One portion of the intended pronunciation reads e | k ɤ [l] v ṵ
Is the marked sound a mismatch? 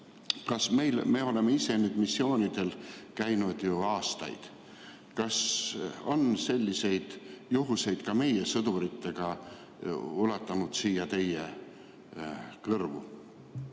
yes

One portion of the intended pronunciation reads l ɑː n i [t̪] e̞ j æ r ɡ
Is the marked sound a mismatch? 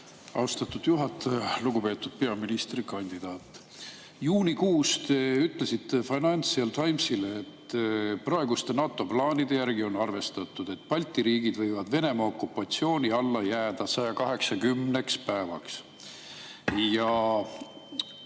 yes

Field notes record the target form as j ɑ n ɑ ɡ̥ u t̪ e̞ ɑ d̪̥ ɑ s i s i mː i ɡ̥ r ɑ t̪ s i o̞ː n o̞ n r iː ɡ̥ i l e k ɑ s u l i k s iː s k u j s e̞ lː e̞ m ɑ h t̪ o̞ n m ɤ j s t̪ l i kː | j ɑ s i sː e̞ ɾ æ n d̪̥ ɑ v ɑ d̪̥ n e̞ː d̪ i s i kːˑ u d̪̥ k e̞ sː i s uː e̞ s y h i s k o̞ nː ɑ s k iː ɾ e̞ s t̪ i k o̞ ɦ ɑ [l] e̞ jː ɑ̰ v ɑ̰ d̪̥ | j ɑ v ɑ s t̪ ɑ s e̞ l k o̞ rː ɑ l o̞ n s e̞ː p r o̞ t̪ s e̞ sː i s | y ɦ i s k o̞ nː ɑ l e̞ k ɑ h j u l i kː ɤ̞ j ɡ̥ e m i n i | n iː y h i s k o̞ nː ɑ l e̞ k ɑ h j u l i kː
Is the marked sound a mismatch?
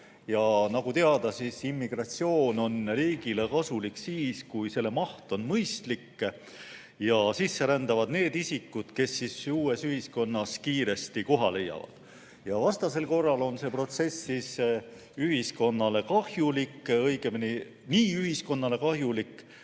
no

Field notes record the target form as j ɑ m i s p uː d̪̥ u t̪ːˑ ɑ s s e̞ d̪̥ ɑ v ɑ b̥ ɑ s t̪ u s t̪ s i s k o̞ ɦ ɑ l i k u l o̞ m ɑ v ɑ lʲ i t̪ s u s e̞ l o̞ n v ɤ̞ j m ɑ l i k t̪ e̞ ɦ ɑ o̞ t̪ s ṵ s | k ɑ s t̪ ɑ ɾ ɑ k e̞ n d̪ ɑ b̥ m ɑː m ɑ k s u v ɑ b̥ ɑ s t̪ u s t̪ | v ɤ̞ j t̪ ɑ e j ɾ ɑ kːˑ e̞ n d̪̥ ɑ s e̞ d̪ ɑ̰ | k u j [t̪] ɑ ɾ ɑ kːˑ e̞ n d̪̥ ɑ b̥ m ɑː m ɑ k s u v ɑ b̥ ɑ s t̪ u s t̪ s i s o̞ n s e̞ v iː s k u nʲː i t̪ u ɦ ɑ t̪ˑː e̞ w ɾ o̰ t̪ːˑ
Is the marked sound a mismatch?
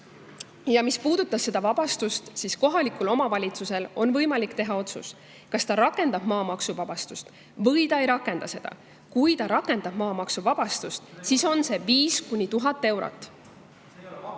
no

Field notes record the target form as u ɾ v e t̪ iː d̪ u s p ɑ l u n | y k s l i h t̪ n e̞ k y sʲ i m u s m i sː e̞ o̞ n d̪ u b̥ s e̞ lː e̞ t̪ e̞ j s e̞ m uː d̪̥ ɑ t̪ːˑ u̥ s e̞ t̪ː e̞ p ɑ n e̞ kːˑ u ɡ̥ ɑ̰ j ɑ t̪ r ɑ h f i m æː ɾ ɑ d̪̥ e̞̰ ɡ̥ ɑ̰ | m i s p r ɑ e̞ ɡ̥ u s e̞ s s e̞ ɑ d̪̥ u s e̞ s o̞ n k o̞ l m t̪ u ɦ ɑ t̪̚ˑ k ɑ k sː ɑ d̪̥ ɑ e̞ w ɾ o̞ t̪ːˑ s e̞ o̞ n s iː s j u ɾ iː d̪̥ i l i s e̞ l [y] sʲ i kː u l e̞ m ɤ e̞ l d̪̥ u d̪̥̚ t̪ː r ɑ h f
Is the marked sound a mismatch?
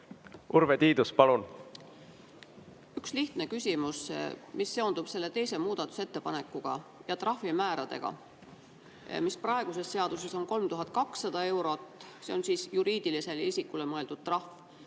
yes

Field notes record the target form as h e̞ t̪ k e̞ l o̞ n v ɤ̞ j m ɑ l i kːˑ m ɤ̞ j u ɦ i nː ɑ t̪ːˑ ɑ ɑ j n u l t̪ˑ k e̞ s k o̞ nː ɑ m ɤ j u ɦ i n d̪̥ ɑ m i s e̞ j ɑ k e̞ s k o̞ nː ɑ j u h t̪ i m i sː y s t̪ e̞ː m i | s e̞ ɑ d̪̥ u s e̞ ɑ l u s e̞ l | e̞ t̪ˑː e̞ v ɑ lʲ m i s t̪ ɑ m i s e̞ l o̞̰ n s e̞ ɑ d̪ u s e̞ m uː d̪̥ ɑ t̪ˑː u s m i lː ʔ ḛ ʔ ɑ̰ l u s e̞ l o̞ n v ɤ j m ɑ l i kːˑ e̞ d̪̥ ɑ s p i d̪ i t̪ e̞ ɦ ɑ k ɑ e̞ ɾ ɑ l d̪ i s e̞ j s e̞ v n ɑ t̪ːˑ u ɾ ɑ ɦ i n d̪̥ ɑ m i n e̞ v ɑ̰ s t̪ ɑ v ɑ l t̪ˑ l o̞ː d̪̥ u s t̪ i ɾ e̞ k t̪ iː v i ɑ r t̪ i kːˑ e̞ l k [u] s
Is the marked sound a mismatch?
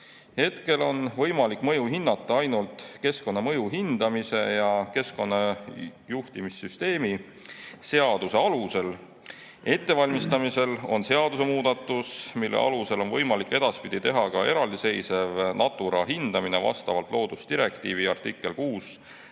yes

